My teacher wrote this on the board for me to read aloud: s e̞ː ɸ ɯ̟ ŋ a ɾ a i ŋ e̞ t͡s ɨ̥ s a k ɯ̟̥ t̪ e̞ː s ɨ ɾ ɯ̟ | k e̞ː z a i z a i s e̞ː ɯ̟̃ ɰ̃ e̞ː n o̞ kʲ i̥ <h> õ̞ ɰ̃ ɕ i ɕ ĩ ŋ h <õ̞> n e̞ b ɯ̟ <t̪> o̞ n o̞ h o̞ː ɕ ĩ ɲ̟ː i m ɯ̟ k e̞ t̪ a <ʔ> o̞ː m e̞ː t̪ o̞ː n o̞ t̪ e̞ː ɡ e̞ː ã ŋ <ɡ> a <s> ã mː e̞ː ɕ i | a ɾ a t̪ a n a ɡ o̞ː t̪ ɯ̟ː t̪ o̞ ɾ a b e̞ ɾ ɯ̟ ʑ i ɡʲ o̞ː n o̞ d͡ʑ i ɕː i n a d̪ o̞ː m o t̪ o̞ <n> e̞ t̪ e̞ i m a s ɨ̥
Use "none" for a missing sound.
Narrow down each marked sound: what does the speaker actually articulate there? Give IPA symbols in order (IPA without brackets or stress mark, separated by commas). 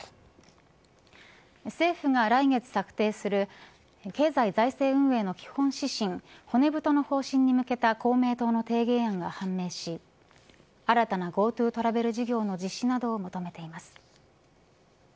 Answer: h, o̞, t̪, k, ɡ, h, m